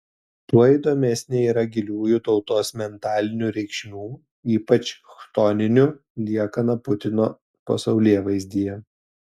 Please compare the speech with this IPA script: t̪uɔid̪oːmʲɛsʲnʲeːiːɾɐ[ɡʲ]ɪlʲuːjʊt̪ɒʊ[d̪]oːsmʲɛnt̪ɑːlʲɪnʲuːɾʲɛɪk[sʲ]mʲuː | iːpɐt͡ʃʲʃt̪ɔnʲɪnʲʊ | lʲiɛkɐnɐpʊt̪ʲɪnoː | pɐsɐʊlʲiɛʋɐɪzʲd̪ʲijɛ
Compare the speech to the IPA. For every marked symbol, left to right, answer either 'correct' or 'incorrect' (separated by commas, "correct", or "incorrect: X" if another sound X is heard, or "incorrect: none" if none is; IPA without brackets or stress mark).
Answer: correct, incorrect: t̪, incorrect: ʃʲ